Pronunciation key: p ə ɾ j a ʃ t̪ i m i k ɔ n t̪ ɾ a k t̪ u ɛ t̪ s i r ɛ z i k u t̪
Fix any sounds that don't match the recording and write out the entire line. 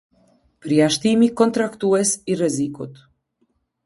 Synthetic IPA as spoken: p ə ɾ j a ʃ t̪ i m i k ɔ n t̪ ɾ a k t̪ u ɛ s i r ɛ z i k u t̪